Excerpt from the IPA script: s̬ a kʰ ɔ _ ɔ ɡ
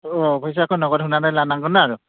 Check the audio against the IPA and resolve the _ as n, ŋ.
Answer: n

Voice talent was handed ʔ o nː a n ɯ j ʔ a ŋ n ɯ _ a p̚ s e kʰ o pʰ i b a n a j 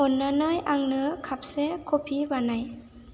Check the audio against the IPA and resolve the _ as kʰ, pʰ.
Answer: kʰ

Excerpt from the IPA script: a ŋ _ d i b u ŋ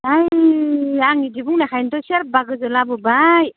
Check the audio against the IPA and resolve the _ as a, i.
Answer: i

